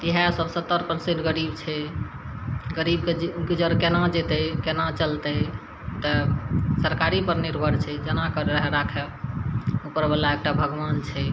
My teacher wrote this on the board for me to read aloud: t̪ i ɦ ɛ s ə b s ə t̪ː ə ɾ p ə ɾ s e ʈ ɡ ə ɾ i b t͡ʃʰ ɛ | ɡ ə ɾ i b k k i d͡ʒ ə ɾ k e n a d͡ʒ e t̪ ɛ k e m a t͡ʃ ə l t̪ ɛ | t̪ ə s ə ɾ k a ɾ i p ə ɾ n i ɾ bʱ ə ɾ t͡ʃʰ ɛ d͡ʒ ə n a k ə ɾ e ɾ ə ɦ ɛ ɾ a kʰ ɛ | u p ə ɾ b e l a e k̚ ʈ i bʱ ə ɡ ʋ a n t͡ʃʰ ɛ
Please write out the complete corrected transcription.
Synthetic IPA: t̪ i ɦ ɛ s ə b s ə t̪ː ə ɾ p ə ɾ s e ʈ ɡ ə ɾ i b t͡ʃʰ ɛ | ɡ ə ɾ i b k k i d͡ʒ ə ɾ k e n a d͡ʒ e t̪ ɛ k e n a t͡ʃ ə l t̪ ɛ | t̪ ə s ə ɾ k a ɾ i p ə ɾ n i ɾ bʱ ə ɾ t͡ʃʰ ɛ d͡ʒ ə n a k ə ɾ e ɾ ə ɦ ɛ ɾ a kʰ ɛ | u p ə ɾ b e l a e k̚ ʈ a bʱ ə ɡ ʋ a n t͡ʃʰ ɛ

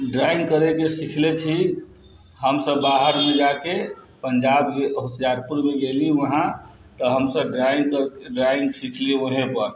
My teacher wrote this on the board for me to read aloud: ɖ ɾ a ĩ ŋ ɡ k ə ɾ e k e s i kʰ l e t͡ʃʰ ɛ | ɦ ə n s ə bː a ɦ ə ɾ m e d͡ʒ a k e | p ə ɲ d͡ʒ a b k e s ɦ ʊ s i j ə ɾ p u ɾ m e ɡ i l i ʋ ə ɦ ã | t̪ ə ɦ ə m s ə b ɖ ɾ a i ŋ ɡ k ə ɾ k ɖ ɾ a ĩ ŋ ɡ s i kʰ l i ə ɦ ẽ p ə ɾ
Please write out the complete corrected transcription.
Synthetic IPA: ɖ ɾ a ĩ ŋ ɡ k ə ɾ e k e s i kʰ l e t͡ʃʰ i | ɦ ə m s ə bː a ɦ ə ɾ m e d͡ʒ a k e | p ə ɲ d͡ʒ a b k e ɦ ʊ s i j a ɾ p u ɾ m e ɡ e l i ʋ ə ɦ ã | t̪ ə ɦ ə m s ə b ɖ ɾ a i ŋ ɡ k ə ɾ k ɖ ɾ a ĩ ŋ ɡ s i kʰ l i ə ɦ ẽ p ə ɾ

